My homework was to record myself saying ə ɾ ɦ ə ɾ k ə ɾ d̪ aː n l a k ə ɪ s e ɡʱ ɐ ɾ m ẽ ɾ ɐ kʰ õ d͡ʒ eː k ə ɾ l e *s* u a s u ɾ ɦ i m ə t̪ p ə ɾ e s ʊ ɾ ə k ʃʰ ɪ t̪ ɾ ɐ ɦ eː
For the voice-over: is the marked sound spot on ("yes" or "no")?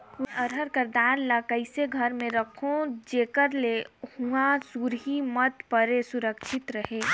no